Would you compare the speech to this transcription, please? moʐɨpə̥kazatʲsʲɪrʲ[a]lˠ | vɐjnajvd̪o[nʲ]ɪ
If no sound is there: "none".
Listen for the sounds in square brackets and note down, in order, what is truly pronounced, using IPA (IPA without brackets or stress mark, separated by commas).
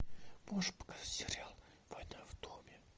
a, mʲ